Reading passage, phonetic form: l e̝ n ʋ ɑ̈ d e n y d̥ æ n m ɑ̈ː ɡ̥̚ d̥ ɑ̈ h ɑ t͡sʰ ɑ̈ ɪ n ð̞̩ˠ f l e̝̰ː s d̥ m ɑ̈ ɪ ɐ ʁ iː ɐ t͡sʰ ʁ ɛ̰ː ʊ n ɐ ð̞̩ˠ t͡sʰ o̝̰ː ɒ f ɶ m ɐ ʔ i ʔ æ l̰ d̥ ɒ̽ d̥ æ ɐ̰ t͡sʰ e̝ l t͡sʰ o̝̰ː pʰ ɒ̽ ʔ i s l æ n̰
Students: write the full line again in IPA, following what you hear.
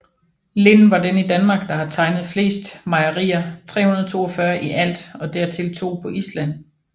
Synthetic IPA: l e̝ n ʋ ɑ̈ d e n i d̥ æ n m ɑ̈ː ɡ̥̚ d̥ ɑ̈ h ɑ t͡sʰ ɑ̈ ɪ n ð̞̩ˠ f l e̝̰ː s d̥ m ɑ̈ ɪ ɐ ʁ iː ɐ t͡sʰ ʁ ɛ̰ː u n ɐ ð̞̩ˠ t͡sʰ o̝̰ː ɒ f ɶ ɐ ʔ i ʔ æ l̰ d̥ ɒ̽ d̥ æ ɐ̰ t͡sʰ e̝ l t͡sʰ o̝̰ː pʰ ɒ̽ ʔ i s l æ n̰